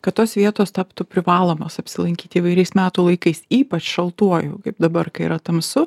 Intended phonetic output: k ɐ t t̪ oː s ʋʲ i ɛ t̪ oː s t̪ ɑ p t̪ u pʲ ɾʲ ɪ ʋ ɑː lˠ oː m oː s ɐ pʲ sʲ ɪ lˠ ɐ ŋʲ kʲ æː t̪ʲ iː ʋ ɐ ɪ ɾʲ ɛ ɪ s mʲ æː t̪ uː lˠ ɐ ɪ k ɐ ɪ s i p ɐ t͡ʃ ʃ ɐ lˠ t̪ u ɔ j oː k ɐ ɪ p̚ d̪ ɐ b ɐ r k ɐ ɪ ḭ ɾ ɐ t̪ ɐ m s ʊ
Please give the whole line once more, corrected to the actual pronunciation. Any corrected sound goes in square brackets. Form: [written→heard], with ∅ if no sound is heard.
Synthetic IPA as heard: k ɐ t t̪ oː s ʋʲ i ɛ t̪ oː s t̪ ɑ p t̪ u pʲ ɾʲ ɪ ʋ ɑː lˠ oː m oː s ɐ pʲ sʲ ɪ lˠ ɐ ŋʲ kʲ [æː→iː] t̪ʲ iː ʋ ɐ ɪ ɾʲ ɛ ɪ s mʲ æː t̪ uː lˠ ɐ ɪ k ɐ ɪ s [i→iː] p ɐ t͡ʃ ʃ ɐ lˠ t̪ u ɔ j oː k ɐ ɪ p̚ d̪ ɐ b ɐ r k ɐ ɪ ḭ ɾ ɐ t̪ ɐ m s ʊ

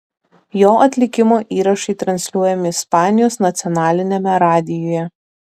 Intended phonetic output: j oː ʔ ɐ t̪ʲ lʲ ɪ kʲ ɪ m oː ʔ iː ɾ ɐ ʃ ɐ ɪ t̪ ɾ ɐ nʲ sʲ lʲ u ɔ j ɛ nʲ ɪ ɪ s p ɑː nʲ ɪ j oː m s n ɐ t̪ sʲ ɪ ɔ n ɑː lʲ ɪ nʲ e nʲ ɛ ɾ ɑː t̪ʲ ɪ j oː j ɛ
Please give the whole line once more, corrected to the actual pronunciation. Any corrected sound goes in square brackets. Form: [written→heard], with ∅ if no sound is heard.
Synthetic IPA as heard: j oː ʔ ɐ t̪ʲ lʲ ɪ kʲ ɪ m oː ʔ iː ɾ ɐ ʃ ɐ ɪ t̪ ɾ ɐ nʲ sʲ lʲ u ɔ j ɛ [nʲ→mʲ] ɪ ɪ s p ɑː nʲ ɪ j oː [m→∅] s n ɐ t̪ sʲ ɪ ɔ n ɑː lʲ ɪ nʲ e [nʲ→mʲ] ɛ ɾ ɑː [t̪ʲ→d̪ʲ] ɪ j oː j ɛ

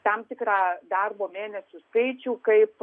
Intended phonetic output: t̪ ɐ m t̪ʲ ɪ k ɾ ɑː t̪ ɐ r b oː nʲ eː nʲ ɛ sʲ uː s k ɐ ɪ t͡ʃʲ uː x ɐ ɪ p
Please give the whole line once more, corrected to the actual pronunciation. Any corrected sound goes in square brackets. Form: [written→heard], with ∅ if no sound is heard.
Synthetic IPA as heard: t̪ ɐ m t̪ʲ ɪ k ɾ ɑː [t̪→d̪] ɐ r b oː [nʲ→mʲ] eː nʲ ɛ sʲ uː s k ɐ ɪ t͡ʃʲ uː [x→k] ɐ ɪ p

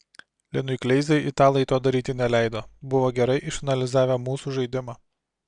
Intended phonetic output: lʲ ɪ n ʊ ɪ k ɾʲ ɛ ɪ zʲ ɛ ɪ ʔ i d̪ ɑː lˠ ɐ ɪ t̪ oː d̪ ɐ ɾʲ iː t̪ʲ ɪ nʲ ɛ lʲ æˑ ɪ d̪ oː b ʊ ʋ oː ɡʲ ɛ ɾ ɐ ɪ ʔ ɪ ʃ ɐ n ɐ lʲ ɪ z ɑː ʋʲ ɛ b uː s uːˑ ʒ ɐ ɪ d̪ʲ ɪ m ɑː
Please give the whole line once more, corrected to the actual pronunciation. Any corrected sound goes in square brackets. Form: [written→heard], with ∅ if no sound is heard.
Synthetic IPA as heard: lʲ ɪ n ʊ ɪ k [ɾʲ→lʲ] ɛ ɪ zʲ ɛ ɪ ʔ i [d̪→t̪] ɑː lˠ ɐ ɪ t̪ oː d̪ ɐ ɾʲ iː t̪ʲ ɪ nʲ ɛ lʲ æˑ ɪ d̪ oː b ʊ ʋ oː ɡʲ ɛ ɾ ɐ ɪ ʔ ɪ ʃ ɐ n ɐ lʲ ɪ z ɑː ʋʲ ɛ [b→m] uː s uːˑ ʒ ɐ ɪ d̪ʲ ɪ m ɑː

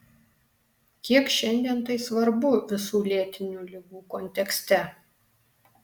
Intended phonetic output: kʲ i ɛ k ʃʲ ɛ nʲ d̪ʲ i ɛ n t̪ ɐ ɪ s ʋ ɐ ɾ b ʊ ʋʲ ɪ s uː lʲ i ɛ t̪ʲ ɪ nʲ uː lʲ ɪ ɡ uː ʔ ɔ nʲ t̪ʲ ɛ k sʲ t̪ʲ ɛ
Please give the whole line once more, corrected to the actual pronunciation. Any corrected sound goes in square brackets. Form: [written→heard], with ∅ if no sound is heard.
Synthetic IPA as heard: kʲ i ɛ k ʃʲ ɛ nʲ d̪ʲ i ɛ n t̪ ɐ ɪ s ʋ ɐ ɾ b ʊ ʋʲ ɪ s uː lʲ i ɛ t̪ʲ ɪ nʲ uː lʲ ɪ ɡ uː [ʔ→k] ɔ nʲ t̪ʲ ɛ k sʲ t̪ʲ ɛ

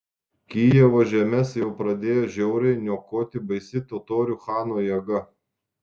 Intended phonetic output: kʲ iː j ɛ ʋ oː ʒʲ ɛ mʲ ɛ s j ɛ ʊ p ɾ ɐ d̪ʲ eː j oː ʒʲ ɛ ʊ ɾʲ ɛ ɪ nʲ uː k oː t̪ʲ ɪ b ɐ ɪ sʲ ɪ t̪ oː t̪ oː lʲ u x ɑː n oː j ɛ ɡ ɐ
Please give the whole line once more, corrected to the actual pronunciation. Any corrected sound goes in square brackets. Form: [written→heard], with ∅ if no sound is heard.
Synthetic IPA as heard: kʲ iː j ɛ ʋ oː ʒʲ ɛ mʲ ɛ s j ɛ ʊ p ɾ ɐ d̪ʲ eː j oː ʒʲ ɛ ʊ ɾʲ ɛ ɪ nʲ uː k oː t̪ʲ ɪ b ɐ ɪ sʲ ɪ t̪ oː t̪ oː [lʲ→ɾʲ] u x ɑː n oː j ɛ ɡ ɐ

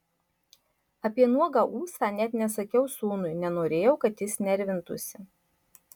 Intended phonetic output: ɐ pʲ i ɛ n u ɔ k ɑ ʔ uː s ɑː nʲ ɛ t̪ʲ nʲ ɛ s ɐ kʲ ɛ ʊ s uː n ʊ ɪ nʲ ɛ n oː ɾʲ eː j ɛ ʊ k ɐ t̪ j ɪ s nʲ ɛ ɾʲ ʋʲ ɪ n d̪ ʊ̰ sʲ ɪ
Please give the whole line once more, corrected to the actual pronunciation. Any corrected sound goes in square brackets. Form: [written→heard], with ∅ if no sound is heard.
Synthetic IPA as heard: ɐ pʲ i ɛ n u ɔ [k→ɡ] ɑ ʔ uː s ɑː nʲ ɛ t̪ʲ nʲ ɛ s ɐ kʲ ɛ ʊ s uː n ʊ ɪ nʲ ɛ n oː ɾʲ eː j ɛ ʊ k ɐ t̪ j ɪ s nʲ ɛ ɾʲ ʋʲ ɪ n [d̪→t̪] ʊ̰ sʲ ɪ

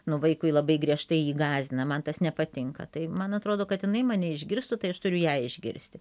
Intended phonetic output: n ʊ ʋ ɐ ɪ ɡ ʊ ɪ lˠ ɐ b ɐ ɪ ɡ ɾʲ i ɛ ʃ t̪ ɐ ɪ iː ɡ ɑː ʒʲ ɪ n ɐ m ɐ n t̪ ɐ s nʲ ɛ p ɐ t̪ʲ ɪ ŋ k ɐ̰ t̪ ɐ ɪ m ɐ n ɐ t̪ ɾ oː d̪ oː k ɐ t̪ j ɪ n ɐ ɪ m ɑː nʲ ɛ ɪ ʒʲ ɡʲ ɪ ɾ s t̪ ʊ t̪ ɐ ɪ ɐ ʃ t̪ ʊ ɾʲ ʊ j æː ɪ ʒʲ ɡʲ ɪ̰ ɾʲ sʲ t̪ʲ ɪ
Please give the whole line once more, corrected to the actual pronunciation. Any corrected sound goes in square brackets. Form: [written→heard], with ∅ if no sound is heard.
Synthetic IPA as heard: n ʊ ʋ ɐ ɪ [ɡ→k] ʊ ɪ lˠ ɐ b ɐ ɪ ɡ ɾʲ i ɛ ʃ t̪ ɐ ɪ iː ɡ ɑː [ʒʲ→zʲ] ɪ n ɐ m ɐ n t̪ ɐ s nʲ ɛ p ɐ t̪ʲ ɪ ŋ k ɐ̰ t̪ ɐ ɪ m ɐ n ɐ t̪ ɾ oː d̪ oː k ɐ t̪ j ɪ n ɐ ɪ m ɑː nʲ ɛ ɪ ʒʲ ɡʲ ɪ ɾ s t̪ ʊ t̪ ɐ ɪ ɐ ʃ t̪ ʊ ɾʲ ʊ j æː ɪ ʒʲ ɡʲ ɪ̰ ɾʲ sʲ t̪ʲ ɪ

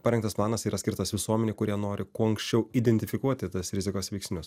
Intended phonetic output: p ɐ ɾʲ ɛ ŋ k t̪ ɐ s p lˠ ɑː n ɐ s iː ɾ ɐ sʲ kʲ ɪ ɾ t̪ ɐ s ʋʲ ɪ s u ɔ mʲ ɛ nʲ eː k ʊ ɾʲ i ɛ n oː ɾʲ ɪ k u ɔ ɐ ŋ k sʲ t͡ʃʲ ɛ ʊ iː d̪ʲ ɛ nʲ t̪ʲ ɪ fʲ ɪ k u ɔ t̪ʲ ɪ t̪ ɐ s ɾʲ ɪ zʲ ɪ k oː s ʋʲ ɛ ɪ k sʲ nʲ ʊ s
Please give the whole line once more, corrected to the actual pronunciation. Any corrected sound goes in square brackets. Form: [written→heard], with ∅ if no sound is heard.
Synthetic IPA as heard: p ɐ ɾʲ ɛ ŋ k t̪ ɐ s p lˠ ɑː n ɐ s iː ɾ ɐ sʲ kʲ ɪ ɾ t̪ ɐ s ʋʲ ɪ s u ɔ mʲ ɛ nʲ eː k ʊ ɾʲ i ɛ n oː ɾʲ ɪ k u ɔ ɐ ŋ k sʲ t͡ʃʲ ɛ ʊ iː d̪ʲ ɛ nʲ t̪ʲ ɪ fʲ ɪ k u ɔ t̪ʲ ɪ t̪ ɐ s ɾʲ ɪ zʲ ɪ k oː s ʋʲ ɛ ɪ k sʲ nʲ ʊ s

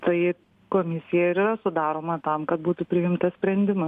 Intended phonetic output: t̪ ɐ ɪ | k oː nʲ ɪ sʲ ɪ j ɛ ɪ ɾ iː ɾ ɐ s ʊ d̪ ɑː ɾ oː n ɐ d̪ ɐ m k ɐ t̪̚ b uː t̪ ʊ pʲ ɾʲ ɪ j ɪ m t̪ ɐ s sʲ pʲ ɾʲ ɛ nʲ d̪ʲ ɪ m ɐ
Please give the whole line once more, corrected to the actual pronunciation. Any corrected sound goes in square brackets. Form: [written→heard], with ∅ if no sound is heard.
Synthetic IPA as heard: t̪ ɐ ɪ | k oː [nʲ→mʲ] ɪ sʲ ɪ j ɛ ɪ ɾ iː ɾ ɐ s ʊ d̪ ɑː ɾ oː [n→m] ɐ [d̪→t̪] ɐ m k ɐ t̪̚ b uː t̪ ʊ pʲ ɾʲ ɪ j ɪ m t̪ ɐ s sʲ pʲ ɾʲ ɛ nʲ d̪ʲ ɪ m ɐ

